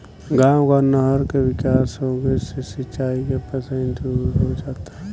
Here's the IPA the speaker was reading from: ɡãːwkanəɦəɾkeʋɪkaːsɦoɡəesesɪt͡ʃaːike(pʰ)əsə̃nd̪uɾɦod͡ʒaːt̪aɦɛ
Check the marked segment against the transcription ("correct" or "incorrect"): incorrect